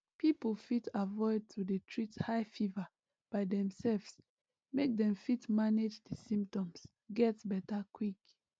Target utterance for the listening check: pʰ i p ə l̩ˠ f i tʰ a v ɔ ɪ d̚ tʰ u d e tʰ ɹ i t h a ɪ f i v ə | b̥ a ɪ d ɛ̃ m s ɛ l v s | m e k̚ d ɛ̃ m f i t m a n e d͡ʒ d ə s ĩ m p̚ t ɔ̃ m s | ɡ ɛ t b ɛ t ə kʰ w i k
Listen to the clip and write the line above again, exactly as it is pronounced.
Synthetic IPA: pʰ i p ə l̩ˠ f i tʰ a v ɔ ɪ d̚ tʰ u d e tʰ ɹ i t h a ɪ f i v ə | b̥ a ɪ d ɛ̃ m s ɛ l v s | m e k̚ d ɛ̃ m f i t m a n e d͡ʒ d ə s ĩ m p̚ t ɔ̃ m s | ɡ ɛ t b ɛ t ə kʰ w i k